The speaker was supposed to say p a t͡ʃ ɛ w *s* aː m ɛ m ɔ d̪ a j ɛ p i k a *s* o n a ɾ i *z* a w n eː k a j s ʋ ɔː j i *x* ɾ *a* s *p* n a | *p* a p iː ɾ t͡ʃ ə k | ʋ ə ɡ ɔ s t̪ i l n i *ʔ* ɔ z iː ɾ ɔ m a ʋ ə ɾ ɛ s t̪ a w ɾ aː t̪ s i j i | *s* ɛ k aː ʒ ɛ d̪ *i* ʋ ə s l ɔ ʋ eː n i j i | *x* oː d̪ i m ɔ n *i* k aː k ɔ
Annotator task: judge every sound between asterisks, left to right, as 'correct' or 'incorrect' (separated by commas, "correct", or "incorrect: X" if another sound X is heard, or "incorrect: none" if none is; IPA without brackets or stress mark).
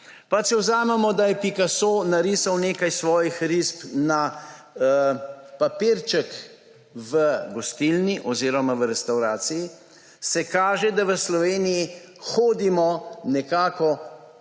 incorrect: z, correct, incorrect: s, correct, incorrect: i, correct, correct, correct, correct, incorrect: a, correct, incorrect: ɛ